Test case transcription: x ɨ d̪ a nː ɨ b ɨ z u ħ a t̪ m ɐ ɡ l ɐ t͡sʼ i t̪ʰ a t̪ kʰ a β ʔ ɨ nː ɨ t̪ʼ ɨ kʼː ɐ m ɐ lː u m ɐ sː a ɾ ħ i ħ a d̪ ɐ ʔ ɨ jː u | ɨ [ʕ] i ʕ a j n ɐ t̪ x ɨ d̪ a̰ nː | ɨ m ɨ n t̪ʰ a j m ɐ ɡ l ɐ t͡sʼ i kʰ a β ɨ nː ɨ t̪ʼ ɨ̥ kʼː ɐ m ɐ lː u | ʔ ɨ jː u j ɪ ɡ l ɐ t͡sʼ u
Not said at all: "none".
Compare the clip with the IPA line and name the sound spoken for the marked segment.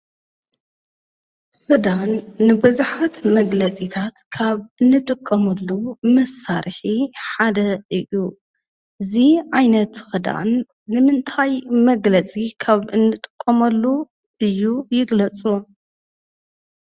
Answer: z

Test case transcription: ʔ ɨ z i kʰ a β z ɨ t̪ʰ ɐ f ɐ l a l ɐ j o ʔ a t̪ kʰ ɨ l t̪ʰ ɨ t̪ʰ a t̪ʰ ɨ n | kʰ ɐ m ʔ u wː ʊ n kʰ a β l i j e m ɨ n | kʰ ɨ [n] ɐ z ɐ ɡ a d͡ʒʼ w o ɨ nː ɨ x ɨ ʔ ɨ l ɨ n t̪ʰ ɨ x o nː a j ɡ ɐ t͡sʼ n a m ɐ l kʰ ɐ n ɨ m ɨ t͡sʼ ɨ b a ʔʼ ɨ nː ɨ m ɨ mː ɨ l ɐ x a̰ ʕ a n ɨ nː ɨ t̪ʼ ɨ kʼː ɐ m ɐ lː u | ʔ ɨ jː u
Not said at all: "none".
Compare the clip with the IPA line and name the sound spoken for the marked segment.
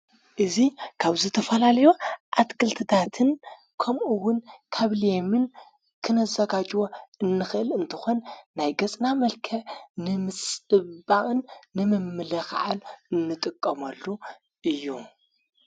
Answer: n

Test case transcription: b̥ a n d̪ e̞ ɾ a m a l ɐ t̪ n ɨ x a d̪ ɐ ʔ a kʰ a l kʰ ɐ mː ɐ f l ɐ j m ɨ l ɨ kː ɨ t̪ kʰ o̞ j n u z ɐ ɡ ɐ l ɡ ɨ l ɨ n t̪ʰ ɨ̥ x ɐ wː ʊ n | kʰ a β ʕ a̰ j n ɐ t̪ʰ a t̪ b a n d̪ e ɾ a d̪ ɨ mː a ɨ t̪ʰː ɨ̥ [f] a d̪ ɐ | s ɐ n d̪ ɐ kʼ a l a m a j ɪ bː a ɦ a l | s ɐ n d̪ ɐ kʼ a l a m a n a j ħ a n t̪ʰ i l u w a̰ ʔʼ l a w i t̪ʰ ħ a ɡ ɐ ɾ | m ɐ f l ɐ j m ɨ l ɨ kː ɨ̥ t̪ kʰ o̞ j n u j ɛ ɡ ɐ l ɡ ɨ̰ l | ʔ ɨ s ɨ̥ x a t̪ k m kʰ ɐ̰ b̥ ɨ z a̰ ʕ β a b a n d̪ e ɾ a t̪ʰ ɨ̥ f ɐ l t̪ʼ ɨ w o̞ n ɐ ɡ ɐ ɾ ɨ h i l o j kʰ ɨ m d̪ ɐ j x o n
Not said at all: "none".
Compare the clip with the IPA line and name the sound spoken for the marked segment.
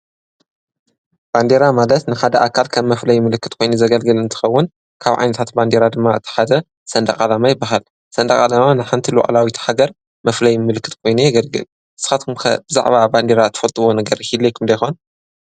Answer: ħ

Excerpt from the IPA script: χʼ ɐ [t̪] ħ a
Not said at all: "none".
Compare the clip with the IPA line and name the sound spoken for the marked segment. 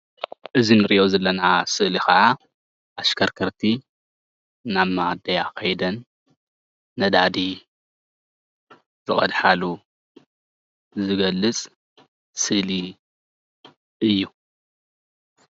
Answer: d̪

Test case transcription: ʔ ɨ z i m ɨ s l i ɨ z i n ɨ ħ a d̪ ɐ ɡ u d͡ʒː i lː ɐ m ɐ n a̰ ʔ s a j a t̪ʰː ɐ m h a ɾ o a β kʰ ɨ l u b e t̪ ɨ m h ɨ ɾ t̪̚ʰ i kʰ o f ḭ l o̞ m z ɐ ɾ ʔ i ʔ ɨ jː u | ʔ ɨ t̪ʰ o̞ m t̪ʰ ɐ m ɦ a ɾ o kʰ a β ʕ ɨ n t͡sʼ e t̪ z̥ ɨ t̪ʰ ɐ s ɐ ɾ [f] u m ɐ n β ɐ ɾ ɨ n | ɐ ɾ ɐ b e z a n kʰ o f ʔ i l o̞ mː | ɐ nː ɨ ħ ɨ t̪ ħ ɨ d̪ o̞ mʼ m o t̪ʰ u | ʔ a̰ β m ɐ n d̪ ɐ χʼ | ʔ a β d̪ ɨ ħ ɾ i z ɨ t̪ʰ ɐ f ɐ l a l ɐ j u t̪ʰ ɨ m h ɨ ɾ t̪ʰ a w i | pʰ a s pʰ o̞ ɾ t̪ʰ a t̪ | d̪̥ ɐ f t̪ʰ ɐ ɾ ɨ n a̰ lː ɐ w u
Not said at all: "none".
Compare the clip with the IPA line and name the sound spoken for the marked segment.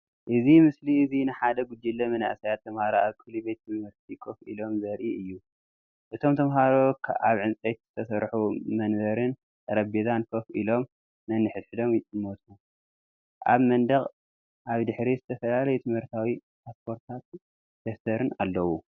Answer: ħ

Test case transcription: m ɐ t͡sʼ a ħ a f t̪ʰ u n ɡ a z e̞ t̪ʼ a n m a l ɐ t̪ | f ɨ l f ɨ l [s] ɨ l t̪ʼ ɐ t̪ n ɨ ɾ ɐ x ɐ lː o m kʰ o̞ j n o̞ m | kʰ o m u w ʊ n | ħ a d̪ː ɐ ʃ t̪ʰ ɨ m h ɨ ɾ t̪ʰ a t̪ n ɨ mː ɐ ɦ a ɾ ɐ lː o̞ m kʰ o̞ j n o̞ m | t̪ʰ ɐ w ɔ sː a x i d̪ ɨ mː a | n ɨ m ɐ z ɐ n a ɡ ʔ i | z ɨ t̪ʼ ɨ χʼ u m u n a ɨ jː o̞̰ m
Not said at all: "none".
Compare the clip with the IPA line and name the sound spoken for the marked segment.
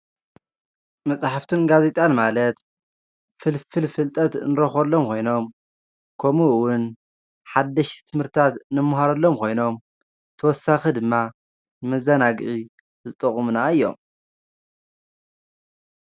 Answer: f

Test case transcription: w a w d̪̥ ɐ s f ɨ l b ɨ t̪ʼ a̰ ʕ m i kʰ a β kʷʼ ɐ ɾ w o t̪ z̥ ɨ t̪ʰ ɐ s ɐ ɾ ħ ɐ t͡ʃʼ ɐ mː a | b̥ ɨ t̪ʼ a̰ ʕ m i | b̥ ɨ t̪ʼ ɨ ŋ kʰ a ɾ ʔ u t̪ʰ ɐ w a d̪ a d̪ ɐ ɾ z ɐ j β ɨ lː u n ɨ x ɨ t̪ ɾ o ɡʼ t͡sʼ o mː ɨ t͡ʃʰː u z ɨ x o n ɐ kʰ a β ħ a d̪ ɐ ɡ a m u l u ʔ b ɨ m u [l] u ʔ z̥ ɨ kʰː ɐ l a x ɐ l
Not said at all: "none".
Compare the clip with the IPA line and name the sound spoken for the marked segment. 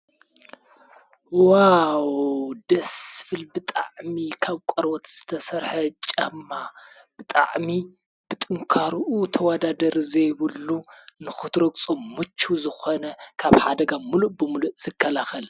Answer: l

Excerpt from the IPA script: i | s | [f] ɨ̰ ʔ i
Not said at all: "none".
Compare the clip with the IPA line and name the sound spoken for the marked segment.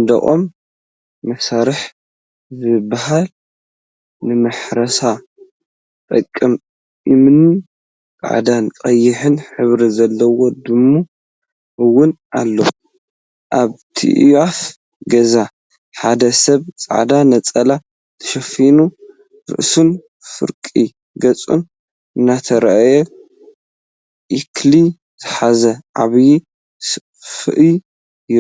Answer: f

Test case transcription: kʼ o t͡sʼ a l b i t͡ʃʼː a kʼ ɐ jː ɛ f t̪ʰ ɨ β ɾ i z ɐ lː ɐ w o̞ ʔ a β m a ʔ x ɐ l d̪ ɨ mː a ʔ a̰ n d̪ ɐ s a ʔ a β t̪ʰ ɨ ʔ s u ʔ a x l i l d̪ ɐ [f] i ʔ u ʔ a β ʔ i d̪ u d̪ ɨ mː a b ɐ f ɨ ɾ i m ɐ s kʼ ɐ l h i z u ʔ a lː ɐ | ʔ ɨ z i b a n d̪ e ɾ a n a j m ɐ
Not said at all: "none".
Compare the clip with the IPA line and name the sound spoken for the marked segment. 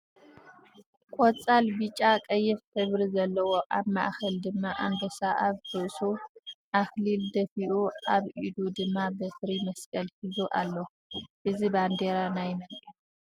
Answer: f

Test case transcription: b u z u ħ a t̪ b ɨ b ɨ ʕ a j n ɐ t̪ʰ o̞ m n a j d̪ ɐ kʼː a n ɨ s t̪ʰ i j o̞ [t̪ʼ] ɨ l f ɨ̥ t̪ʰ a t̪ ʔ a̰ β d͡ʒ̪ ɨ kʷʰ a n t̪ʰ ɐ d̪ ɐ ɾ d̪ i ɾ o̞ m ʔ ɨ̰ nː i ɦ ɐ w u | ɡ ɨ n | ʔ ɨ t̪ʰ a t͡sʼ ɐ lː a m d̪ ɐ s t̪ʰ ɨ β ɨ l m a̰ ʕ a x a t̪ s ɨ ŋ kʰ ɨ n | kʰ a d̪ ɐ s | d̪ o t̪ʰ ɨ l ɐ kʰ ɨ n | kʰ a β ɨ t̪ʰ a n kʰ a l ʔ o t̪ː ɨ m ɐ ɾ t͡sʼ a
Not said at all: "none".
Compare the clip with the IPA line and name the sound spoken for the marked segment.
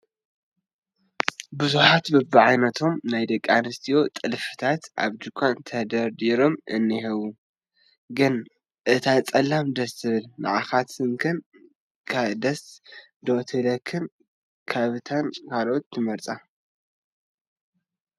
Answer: t̪ʼ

